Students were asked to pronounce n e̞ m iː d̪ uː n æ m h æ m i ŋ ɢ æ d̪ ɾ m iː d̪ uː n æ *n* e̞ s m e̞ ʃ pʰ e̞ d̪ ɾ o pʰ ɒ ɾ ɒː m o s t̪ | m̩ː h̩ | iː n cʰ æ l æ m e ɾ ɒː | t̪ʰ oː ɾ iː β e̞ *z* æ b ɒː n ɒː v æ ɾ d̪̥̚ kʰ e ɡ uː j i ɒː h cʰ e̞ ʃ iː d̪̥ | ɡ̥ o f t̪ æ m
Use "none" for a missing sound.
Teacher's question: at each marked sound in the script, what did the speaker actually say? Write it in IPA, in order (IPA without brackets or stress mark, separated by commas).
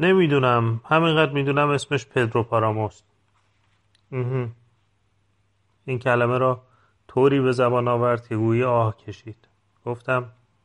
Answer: m, z